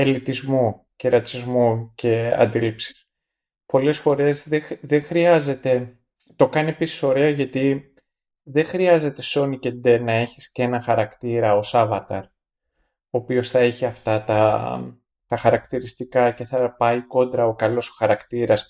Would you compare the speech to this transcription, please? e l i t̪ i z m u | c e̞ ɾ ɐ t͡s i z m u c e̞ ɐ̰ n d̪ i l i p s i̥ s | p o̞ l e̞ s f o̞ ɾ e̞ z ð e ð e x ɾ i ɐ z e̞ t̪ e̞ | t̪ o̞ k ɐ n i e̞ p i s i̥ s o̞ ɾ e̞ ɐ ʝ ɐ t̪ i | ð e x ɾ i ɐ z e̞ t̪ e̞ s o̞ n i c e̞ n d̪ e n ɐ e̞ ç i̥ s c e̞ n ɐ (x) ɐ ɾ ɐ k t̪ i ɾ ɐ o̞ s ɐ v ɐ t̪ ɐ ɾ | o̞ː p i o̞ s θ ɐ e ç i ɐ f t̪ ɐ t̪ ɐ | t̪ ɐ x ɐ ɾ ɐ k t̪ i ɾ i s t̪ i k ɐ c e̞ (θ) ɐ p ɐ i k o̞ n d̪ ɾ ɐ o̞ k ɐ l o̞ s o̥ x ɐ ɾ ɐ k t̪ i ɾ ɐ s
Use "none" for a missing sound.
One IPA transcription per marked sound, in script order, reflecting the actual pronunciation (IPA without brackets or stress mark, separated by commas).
x, θ